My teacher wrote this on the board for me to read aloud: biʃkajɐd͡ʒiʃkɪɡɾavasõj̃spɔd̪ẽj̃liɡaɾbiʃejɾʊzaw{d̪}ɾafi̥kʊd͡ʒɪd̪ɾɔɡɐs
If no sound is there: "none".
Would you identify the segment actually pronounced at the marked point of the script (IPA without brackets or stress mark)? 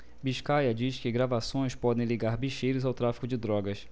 t̪